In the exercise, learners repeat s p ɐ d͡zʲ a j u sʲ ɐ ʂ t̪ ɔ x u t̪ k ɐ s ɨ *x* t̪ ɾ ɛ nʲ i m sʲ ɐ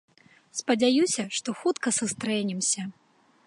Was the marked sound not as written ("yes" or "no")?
yes